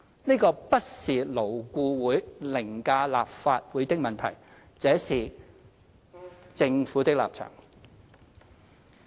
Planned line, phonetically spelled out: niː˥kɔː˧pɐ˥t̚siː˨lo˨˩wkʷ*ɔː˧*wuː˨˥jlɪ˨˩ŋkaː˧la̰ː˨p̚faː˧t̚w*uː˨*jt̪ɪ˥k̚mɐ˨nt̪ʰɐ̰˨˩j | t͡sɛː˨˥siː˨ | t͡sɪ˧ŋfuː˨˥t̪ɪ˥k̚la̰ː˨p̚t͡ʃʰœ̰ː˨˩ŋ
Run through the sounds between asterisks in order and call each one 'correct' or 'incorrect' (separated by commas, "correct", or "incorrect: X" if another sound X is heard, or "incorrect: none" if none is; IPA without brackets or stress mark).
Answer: incorrect: uː˧, incorrect: uː˨˥